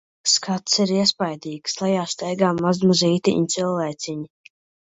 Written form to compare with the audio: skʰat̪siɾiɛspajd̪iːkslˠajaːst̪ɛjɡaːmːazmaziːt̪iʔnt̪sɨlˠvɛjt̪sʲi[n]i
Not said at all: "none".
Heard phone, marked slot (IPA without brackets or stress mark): ɲ